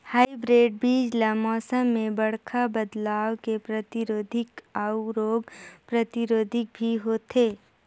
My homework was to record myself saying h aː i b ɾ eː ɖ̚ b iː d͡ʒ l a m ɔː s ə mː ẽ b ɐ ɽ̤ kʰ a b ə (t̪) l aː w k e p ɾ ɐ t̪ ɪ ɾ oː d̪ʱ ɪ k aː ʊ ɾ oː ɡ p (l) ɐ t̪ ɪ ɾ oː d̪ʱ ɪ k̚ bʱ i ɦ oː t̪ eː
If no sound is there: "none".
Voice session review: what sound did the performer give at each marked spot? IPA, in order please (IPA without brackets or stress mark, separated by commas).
d̪, ɾ